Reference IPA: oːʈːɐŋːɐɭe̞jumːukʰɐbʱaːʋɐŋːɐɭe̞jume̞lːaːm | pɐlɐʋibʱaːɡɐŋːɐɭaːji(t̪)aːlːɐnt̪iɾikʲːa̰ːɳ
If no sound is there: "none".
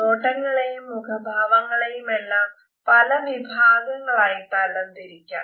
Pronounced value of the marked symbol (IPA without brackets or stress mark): t̪